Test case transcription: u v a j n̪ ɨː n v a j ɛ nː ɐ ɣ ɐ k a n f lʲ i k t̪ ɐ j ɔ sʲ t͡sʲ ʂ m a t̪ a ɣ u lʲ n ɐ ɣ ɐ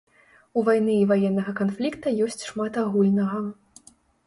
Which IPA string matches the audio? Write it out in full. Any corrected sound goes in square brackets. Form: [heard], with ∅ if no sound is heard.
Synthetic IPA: u v a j n̪ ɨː [∅] v a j ɛ nː ɐ ɣ ɐ k a n f lʲ i k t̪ ɐ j ɔ sʲ t͡sʲ ʂ m a t̪ a ɣ u lʲ n ɐ ɣ ɐ